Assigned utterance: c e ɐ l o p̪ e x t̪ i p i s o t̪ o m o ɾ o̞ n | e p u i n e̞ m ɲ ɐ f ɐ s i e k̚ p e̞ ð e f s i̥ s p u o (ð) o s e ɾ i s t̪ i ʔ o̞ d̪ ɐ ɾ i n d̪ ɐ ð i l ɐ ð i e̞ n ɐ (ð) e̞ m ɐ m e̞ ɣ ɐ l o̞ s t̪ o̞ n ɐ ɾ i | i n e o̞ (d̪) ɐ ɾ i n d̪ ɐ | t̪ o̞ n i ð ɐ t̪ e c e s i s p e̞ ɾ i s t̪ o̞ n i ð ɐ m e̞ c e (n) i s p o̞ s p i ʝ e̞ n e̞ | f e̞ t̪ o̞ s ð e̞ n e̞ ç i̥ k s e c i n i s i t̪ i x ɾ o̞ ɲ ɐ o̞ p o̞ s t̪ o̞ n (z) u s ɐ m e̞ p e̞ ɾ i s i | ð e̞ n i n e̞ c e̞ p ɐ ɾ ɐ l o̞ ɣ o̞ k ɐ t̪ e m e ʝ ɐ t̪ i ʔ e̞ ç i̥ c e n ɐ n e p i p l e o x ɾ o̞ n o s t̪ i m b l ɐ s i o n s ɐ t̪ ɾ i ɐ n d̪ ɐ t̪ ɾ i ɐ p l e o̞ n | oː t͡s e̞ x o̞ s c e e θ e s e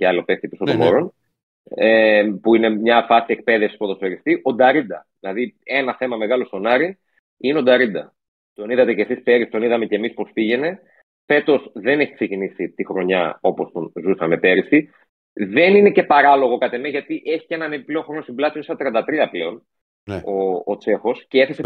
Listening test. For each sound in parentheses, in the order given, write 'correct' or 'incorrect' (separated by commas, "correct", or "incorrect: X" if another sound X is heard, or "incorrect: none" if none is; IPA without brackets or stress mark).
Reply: correct, incorrect: θ, correct, incorrect: m, correct